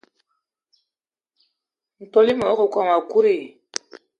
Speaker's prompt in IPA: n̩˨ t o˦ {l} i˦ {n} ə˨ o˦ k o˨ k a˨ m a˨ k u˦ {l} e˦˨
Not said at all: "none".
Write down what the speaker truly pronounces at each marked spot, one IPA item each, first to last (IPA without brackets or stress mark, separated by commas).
l, m, ɾ